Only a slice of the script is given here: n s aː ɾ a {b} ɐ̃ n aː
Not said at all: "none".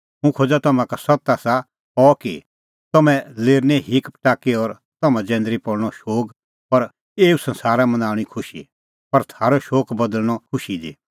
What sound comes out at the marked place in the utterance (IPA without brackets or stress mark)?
m